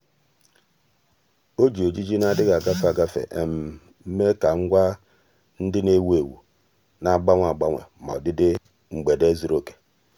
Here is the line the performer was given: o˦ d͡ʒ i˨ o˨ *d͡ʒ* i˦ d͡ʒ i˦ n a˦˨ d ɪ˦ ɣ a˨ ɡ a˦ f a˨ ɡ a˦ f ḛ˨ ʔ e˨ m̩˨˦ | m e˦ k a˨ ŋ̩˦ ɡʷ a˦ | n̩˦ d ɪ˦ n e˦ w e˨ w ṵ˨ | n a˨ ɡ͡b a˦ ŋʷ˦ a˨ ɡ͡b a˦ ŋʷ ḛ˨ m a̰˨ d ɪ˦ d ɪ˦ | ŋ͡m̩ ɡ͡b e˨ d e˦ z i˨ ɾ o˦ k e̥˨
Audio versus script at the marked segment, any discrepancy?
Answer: no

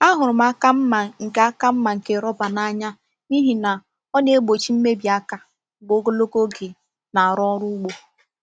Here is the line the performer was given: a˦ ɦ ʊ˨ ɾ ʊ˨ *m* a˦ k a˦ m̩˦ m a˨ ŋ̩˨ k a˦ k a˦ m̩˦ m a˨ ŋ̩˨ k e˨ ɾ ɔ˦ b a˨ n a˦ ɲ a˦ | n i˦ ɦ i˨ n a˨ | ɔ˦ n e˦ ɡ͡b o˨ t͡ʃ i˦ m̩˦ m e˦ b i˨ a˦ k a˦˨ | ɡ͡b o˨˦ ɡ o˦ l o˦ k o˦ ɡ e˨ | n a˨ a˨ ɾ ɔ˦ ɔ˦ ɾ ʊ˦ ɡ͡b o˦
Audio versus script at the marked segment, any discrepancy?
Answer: no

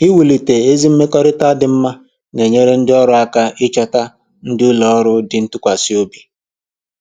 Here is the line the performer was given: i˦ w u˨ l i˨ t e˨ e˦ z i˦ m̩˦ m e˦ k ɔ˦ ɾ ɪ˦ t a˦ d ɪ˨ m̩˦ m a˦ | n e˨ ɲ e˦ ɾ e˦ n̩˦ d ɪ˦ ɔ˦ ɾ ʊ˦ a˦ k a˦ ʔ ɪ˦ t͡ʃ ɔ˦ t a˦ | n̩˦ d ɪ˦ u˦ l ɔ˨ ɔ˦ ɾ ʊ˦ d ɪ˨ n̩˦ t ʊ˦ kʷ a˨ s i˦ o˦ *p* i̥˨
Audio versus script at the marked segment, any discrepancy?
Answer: yes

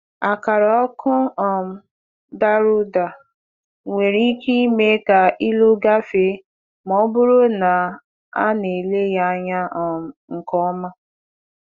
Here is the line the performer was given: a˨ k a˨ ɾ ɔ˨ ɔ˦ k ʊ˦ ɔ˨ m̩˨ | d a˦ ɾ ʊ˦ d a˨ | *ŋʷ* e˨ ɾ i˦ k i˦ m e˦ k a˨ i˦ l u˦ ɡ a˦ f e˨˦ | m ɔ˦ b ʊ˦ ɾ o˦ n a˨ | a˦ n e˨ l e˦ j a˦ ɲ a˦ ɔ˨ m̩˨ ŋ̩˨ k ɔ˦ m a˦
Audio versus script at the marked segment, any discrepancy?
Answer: no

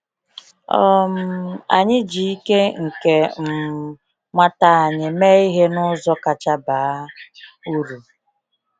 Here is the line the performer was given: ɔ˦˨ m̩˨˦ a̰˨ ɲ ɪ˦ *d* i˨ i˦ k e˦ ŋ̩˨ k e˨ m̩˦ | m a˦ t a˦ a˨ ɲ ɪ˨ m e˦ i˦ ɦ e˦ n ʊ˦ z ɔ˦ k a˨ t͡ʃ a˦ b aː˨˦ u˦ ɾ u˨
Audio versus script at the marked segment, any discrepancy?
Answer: yes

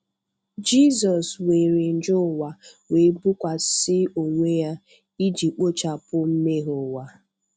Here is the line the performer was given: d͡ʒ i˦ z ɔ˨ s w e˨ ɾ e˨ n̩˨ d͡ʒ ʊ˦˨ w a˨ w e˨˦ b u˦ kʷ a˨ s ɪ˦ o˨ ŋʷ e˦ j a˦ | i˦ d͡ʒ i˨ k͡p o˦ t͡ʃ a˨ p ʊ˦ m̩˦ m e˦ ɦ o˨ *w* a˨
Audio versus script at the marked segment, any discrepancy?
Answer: no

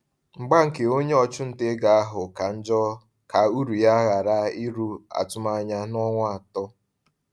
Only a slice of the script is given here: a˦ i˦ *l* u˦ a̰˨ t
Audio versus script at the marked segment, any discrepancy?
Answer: yes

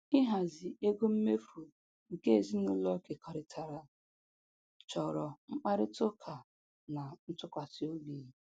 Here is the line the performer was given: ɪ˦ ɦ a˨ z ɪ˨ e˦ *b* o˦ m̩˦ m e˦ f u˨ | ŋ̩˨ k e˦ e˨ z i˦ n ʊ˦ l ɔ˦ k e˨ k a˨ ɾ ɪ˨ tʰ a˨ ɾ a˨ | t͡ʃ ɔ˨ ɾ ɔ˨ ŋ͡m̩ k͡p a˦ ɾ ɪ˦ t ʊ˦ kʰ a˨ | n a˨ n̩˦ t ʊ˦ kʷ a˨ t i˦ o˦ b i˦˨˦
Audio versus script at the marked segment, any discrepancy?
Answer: yes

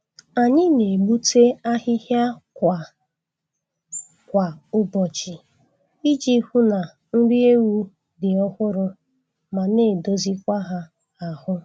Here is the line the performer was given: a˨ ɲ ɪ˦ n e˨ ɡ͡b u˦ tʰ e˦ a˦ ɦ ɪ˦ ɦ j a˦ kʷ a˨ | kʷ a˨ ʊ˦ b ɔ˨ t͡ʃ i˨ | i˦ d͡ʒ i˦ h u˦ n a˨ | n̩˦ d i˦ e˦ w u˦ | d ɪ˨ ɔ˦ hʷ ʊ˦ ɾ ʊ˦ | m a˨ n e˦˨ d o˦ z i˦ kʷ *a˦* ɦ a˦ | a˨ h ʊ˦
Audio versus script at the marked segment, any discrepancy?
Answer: no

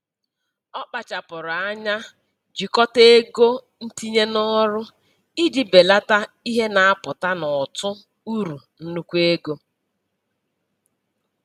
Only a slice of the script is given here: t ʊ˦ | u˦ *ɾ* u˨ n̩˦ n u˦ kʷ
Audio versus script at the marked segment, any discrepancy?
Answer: no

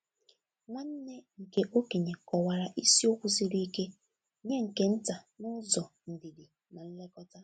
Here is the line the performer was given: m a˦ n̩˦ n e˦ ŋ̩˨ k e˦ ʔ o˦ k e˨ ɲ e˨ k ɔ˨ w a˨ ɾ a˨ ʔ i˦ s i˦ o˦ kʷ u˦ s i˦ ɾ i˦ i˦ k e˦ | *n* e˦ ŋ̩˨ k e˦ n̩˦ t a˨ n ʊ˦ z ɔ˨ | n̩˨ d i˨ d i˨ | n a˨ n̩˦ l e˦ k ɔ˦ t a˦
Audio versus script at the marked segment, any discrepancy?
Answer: yes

